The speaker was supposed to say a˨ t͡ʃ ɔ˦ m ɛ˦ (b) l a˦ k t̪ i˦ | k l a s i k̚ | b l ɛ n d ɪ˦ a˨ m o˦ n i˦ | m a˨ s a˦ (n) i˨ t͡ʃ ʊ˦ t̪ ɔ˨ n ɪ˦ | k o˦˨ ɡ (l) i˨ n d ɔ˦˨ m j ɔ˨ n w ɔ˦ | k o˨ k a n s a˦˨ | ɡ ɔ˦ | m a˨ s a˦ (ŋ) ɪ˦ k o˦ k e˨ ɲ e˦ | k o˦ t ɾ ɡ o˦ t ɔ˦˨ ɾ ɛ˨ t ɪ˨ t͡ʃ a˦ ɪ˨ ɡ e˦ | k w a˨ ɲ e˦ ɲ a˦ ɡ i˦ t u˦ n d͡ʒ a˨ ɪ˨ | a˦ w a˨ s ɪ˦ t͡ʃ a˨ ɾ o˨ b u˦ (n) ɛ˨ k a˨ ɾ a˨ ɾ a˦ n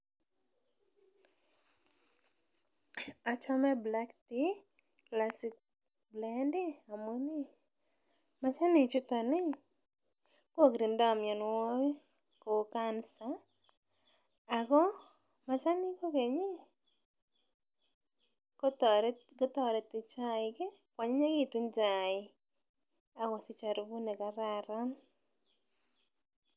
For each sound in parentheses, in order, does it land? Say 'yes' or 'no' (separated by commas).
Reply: yes, yes, no, no, yes